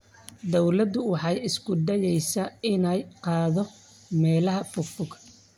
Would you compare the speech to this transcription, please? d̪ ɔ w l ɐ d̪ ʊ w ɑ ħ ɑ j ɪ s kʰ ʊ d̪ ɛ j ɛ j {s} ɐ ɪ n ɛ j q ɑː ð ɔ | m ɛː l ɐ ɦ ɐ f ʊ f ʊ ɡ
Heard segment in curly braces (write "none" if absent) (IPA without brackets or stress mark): s